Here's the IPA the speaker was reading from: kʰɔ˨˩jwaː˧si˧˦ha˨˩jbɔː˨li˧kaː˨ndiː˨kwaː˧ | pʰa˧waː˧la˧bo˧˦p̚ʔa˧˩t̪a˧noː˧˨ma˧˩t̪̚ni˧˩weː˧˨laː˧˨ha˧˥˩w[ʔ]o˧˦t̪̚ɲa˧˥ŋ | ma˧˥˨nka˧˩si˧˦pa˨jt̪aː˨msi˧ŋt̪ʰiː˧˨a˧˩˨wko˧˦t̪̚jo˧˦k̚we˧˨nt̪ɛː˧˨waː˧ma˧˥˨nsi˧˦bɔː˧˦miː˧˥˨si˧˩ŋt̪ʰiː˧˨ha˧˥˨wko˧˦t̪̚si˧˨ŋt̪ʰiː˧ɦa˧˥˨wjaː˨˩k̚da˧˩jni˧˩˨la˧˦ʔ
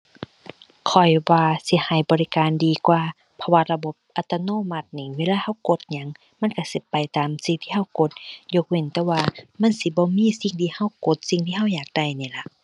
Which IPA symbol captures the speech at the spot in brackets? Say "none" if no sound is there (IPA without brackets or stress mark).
k